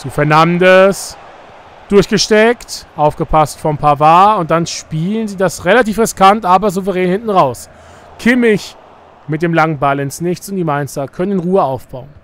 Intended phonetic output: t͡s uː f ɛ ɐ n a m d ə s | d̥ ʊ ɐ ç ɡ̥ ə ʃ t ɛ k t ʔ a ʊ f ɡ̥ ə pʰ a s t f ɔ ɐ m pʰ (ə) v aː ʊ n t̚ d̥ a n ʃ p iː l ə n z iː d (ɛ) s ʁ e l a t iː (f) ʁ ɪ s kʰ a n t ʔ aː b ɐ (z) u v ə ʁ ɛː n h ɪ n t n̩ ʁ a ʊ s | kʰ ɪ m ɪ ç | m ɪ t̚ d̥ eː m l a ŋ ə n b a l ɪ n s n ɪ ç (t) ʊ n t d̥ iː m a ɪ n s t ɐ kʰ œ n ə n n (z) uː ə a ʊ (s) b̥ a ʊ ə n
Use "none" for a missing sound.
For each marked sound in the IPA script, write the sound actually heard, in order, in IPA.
a, a, f, z, t͡s, ʁ, f

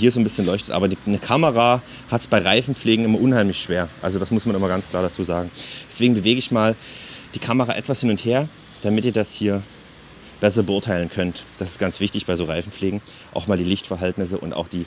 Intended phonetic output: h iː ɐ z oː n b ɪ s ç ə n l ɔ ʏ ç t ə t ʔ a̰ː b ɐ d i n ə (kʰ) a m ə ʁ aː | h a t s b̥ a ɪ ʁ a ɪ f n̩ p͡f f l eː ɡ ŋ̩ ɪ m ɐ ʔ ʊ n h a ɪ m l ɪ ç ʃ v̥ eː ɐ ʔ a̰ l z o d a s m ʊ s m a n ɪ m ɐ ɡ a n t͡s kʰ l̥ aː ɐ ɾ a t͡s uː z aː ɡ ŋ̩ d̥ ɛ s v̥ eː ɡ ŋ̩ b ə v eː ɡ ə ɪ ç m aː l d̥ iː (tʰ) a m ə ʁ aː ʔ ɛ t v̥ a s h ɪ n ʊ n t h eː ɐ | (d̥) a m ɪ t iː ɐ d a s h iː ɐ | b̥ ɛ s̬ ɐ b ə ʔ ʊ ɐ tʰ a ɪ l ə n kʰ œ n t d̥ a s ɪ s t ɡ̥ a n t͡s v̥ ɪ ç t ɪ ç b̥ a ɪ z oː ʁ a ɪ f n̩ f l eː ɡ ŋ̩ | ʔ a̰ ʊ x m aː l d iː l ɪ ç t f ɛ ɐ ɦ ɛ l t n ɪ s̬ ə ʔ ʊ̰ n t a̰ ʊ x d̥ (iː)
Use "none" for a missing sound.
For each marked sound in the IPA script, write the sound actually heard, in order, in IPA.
kʰ, kʰ, d̥, iː

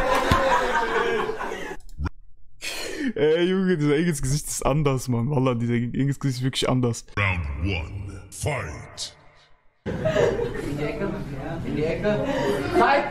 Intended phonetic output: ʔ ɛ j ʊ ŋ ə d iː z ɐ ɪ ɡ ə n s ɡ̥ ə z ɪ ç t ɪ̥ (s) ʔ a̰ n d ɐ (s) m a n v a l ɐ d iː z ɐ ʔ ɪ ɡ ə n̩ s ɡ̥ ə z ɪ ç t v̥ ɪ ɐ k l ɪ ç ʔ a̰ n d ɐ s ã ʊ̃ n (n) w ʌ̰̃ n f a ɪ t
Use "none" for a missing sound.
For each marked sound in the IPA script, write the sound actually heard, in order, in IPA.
s, s, d

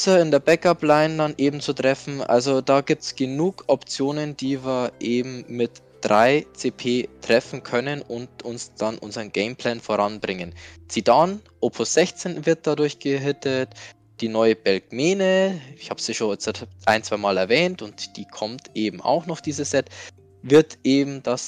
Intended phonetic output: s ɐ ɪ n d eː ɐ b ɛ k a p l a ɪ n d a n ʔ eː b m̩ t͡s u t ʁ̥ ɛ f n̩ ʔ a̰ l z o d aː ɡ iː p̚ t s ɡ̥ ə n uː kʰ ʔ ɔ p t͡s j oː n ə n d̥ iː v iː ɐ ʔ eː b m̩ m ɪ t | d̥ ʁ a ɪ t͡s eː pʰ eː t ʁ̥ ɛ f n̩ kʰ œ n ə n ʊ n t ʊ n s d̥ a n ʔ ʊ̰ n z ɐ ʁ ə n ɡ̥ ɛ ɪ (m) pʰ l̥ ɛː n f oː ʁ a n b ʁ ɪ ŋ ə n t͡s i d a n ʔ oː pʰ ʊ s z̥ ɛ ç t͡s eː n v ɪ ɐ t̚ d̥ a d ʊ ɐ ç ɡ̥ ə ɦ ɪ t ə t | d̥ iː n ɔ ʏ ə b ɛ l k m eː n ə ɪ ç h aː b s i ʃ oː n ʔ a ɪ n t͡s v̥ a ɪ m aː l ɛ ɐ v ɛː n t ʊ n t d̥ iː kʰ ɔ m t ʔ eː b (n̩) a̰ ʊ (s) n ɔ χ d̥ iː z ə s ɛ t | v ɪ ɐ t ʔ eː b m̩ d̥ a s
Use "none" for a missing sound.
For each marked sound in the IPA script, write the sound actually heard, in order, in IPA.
m, m̩, x

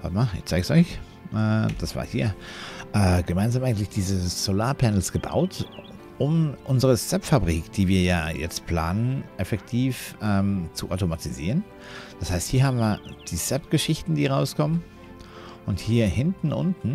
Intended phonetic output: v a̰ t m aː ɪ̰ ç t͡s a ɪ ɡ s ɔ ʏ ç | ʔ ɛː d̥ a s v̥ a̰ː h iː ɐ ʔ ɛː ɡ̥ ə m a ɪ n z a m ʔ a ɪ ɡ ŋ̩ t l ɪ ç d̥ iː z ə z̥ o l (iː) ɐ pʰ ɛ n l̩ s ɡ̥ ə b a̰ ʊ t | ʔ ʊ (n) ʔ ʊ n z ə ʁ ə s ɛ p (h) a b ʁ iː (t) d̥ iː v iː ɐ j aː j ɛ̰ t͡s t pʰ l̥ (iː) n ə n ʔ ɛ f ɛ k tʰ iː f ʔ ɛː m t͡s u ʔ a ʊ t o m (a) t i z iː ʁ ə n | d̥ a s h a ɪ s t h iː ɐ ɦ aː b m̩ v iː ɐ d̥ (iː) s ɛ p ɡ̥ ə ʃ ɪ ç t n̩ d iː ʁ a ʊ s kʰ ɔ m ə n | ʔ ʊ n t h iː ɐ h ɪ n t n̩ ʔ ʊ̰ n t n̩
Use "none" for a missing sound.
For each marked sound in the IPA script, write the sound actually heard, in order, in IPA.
aː, m, f, k, aː, a, iː

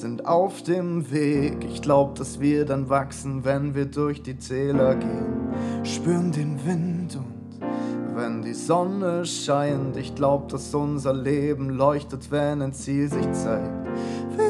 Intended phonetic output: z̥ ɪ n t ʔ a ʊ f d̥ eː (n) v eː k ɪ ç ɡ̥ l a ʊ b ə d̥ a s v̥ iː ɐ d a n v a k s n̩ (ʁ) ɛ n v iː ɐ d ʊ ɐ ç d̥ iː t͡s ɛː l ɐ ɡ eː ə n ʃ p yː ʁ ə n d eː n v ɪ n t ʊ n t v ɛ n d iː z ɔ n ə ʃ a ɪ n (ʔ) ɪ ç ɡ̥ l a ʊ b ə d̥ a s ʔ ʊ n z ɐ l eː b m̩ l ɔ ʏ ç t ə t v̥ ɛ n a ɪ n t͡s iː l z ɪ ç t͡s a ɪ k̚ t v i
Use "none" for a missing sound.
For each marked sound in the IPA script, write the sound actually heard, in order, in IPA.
m, v, t

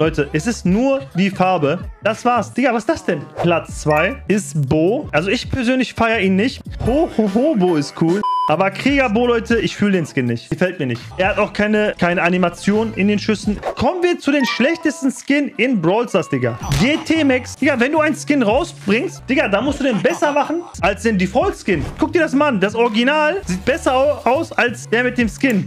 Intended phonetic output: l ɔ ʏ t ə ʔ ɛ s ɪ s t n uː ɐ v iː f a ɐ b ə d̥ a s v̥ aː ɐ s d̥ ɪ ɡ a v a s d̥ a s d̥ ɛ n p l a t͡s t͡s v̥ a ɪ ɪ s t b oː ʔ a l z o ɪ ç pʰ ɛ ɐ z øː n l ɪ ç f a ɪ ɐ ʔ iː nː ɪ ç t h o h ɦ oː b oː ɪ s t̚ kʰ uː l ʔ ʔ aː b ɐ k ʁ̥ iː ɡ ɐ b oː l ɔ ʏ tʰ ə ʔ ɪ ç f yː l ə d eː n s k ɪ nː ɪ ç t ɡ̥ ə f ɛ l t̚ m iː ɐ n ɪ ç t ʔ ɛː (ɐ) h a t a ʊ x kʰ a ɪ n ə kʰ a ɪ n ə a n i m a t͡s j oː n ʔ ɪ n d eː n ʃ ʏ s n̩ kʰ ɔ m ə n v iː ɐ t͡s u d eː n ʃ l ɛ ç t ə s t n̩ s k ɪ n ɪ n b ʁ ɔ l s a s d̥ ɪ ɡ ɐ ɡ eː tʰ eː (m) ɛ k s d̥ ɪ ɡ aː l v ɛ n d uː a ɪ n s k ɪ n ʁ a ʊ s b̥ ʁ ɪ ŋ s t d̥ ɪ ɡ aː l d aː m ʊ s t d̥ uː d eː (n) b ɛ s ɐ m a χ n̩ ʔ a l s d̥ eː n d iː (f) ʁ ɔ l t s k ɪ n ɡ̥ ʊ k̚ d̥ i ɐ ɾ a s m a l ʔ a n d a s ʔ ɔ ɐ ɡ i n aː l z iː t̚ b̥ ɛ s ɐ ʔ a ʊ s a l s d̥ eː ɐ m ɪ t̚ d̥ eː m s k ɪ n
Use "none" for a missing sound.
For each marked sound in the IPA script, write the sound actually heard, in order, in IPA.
ɐ, m, n, f

